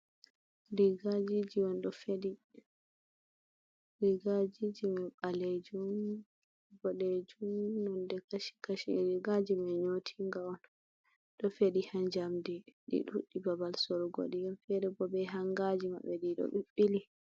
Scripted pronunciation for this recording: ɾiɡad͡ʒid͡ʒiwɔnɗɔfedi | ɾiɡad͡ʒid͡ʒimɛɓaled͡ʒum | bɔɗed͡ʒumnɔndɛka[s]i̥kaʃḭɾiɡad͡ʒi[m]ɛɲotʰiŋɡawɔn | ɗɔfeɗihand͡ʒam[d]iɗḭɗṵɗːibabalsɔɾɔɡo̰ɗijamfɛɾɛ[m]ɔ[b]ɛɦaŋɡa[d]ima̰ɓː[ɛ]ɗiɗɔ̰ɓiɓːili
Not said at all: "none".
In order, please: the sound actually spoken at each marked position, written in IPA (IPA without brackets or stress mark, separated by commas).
ʃ, m, d, b, b, d͡ʒ, ɛ